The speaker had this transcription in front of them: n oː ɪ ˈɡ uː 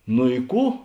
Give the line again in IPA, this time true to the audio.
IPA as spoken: n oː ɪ ˈk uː